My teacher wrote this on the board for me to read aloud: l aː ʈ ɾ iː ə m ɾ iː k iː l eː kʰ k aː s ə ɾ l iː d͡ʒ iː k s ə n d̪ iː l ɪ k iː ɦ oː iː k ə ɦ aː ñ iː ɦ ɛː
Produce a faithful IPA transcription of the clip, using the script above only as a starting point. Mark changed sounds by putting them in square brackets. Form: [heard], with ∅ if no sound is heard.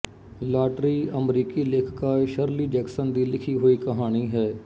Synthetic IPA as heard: l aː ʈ ɾ iː ə m ɾ iː k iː l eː kʰ k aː [ʃ] ə ɾ l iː d͡ʒ [ɛː] k s ə n d̪ iː l ɪ [kʰ] iː ɦ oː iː k ə ɦ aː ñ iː ɦ ɛː